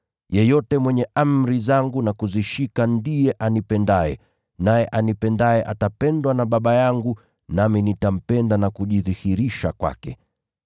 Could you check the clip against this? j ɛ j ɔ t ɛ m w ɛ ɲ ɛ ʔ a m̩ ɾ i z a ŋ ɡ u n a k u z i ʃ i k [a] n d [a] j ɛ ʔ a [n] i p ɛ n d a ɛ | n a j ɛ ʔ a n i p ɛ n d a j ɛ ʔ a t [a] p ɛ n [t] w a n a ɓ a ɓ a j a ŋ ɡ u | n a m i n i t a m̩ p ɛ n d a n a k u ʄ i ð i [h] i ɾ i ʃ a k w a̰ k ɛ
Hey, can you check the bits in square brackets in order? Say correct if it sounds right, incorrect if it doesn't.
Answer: correct, incorrect: i, correct, correct, incorrect: d, correct

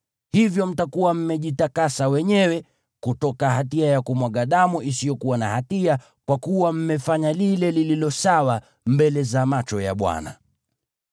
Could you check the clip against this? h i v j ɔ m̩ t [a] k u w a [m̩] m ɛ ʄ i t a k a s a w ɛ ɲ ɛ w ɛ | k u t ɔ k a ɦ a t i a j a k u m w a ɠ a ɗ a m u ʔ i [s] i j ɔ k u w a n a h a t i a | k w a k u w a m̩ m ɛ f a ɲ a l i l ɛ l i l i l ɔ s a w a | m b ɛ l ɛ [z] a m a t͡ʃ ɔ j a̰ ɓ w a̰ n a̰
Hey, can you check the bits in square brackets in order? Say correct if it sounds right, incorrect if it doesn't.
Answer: correct, correct, correct, correct

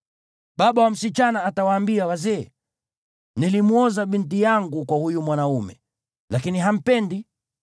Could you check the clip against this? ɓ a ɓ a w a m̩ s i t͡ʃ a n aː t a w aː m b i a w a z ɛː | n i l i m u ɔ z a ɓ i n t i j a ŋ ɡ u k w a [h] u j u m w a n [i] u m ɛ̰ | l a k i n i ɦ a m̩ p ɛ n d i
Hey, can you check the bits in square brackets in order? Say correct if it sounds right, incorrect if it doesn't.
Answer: correct, incorrect: a

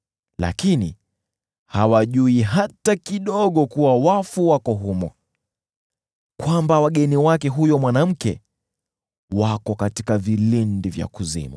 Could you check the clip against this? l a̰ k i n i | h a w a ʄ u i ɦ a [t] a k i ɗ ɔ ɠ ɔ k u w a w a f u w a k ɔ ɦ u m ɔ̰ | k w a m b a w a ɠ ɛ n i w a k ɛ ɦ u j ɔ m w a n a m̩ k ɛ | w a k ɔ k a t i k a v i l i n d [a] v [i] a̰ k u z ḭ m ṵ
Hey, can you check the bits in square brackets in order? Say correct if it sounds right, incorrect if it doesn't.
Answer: correct, incorrect: i, incorrect: j

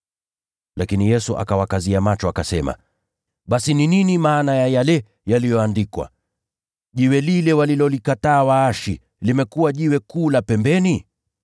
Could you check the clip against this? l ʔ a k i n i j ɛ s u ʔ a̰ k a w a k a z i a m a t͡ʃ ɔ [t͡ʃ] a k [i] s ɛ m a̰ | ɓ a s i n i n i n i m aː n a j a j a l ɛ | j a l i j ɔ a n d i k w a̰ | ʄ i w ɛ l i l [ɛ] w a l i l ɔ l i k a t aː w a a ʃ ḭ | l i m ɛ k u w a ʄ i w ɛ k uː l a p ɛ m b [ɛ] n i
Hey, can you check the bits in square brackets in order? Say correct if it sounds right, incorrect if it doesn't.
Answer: incorrect: none, incorrect: a, correct, correct

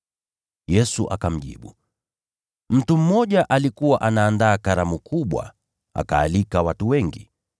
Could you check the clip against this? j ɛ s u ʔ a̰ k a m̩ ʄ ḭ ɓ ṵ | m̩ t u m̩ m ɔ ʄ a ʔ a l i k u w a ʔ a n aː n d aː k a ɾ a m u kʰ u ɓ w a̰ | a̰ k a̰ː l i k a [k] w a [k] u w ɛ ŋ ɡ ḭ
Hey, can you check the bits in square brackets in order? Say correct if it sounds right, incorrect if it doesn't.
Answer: incorrect: none, incorrect: t

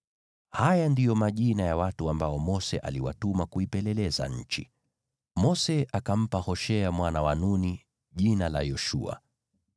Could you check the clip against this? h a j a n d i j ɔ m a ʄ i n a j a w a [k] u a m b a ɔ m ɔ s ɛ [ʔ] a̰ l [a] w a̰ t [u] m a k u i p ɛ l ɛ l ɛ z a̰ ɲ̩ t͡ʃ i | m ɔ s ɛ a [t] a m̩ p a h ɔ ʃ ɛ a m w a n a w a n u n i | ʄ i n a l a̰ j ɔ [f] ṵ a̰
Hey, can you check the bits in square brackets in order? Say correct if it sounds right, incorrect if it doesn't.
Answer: incorrect: t, correct, incorrect: i, correct, incorrect: k, incorrect: ʃ

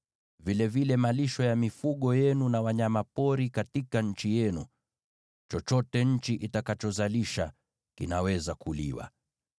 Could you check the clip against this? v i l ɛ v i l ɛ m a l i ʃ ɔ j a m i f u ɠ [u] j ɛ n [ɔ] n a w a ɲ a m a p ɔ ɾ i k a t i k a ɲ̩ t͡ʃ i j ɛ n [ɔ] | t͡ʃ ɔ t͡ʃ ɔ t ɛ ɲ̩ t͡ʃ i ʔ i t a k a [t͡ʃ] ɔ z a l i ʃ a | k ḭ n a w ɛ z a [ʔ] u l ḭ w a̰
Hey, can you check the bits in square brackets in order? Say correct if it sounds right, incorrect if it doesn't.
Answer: incorrect: ɔ, incorrect: u, incorrect: u, correct, incorrect: k

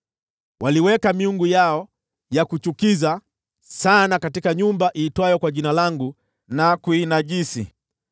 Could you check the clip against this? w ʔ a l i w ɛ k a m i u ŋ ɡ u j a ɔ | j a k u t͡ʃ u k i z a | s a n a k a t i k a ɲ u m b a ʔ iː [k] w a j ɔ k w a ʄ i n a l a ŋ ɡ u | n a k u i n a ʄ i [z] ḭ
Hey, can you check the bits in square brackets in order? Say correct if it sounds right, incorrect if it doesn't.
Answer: incorrect: t, incorrect: s

